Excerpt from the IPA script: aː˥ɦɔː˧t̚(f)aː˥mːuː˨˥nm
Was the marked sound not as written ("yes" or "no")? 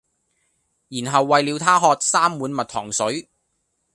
yes